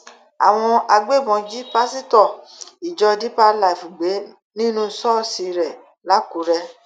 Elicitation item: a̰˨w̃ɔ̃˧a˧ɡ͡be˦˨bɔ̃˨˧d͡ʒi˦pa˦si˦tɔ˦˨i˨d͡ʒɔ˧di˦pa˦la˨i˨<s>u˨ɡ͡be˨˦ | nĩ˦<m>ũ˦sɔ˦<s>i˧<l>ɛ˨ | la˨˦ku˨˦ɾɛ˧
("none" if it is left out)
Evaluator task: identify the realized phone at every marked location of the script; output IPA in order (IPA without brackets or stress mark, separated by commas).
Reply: f, n, s, ɾ